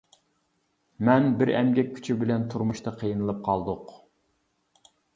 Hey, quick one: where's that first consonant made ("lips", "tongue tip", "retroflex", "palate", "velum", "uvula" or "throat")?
lips